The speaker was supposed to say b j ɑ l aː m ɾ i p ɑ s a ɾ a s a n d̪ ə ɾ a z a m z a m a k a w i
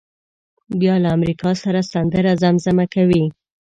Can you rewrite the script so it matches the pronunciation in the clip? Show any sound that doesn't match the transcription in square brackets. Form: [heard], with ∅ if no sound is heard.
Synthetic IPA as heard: b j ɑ l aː m ɾ i [k] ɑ s a ɾ a s a n d̪ ə ɾ a z a m z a m a k a w i